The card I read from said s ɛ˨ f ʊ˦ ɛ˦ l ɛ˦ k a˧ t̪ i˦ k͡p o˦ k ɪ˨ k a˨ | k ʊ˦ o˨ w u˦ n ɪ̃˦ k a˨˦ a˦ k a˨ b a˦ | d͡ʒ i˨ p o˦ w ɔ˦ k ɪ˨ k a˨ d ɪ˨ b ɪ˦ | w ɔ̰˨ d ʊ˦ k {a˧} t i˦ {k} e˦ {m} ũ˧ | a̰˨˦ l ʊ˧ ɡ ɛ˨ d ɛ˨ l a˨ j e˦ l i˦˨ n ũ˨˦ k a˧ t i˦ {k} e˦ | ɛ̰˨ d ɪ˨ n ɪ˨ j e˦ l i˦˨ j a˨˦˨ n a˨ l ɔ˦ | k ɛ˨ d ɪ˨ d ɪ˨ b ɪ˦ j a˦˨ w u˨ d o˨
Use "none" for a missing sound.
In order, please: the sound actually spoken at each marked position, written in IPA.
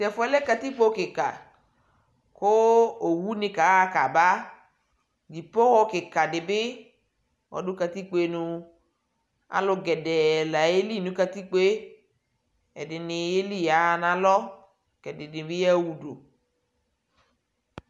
a˧, k͡p, n, k͡p

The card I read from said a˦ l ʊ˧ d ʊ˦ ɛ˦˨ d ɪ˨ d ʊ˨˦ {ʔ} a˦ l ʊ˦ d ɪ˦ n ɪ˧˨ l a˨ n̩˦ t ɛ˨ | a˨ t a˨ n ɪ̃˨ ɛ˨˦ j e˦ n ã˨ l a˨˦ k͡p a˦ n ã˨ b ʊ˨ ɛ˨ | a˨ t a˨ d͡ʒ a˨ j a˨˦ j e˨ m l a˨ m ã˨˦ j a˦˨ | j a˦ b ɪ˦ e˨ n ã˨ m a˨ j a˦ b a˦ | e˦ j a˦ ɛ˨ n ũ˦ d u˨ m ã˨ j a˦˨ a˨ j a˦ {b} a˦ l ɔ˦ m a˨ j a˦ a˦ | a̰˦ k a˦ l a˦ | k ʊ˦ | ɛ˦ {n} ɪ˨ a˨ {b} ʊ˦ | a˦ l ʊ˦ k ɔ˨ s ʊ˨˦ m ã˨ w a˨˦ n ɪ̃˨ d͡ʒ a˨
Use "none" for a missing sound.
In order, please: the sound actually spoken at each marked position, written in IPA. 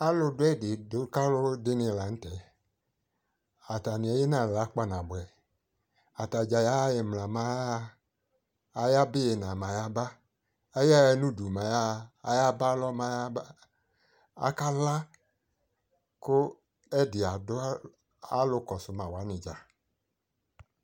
k, b, d, d

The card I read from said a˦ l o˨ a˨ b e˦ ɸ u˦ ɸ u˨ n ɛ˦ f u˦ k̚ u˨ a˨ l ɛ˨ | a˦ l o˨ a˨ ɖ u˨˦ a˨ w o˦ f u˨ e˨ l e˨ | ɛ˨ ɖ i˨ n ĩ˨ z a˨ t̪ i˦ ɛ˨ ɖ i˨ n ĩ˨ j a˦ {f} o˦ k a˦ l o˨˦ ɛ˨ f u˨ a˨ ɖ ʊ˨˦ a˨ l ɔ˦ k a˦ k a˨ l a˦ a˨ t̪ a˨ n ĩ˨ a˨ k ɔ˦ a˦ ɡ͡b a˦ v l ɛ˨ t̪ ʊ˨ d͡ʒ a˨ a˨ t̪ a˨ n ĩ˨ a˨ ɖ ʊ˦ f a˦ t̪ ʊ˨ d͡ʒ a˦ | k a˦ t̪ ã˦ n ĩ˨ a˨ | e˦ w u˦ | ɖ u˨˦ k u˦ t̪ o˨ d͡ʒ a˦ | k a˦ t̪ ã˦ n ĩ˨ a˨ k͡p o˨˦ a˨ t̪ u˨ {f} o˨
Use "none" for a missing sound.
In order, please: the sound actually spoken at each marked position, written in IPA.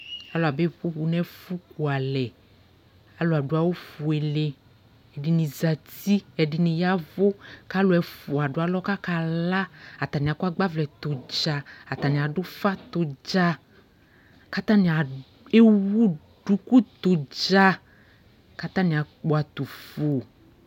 v, f

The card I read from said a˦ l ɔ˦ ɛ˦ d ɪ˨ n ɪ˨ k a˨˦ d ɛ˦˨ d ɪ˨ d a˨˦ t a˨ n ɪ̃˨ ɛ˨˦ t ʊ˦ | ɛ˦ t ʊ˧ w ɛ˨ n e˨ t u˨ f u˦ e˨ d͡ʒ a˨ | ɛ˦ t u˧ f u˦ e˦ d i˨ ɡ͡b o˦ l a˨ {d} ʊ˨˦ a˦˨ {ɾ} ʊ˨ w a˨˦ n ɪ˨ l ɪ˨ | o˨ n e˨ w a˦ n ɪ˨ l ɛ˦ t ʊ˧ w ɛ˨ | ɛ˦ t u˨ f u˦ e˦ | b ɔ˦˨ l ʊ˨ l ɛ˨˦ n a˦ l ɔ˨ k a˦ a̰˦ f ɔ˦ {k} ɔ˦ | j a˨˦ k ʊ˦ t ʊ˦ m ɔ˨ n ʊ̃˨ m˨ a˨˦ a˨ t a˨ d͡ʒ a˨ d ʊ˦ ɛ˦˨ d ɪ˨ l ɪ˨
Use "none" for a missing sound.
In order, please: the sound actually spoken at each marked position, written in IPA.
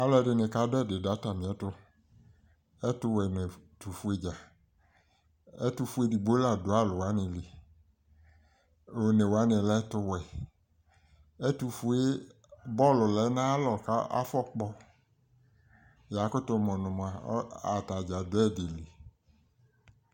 d, l, k͡p

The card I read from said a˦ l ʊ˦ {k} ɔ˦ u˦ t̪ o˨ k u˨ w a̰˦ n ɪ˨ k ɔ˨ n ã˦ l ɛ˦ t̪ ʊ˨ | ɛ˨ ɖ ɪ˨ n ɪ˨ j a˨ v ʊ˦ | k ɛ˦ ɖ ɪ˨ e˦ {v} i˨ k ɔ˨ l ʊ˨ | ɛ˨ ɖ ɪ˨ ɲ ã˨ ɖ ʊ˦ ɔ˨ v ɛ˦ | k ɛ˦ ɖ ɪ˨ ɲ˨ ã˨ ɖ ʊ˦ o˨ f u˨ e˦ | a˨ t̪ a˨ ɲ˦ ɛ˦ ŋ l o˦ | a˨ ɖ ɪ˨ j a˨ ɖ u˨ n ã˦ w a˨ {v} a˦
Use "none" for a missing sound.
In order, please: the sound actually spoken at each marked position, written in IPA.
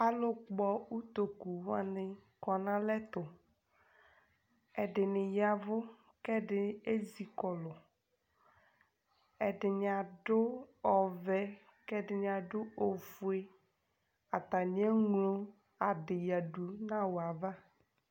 k͡p, z, v

